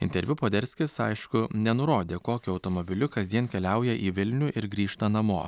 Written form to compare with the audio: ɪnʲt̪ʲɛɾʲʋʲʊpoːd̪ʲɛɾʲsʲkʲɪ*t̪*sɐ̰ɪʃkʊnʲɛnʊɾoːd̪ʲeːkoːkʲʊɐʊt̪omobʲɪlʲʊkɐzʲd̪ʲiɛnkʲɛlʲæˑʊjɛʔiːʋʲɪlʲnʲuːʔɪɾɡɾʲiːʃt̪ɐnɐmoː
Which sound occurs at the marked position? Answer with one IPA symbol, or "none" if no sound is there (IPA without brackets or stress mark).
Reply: none